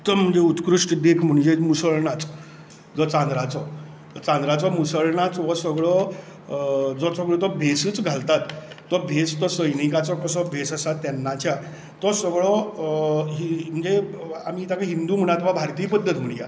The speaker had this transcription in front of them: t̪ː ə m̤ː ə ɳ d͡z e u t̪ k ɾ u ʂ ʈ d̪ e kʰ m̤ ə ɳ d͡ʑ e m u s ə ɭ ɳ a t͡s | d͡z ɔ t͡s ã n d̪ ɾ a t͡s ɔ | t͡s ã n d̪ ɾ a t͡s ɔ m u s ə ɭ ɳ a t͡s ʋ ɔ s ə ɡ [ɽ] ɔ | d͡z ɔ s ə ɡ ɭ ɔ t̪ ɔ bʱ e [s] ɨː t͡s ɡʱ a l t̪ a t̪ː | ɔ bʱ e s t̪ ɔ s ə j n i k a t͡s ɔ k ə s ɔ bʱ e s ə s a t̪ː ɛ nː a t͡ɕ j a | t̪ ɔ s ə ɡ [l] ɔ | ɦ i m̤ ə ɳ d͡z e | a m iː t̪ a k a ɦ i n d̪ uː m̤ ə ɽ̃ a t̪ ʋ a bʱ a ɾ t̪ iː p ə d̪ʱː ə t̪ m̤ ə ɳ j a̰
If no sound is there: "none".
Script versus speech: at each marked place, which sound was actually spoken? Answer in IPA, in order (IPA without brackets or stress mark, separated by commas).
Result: ɭ, s, ɭ